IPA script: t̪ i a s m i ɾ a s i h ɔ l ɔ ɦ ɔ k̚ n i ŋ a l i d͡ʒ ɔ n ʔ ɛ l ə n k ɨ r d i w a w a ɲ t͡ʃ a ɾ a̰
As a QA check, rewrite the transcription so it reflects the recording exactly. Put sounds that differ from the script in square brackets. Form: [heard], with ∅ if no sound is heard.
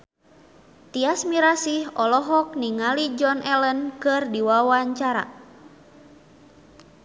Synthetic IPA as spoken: t̪ i a s m i ɾ a s i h ɔ l ɔ ɦ ɔ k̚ n i ŋ a l i d͡ʒ ɔ n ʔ ɛ l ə n k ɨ r d i w a w a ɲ t͡ʃ a ɾ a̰